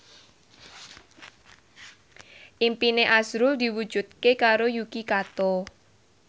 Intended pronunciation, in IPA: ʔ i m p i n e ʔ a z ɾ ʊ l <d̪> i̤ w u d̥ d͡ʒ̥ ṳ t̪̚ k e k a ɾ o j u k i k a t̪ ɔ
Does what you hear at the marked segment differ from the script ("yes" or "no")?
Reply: no